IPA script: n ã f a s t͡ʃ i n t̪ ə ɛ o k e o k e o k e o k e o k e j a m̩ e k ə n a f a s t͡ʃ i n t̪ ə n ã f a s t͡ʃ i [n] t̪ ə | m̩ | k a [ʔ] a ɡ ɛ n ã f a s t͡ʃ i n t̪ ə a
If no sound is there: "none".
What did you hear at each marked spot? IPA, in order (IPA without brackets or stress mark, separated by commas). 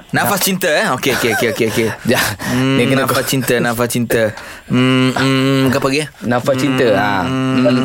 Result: n, p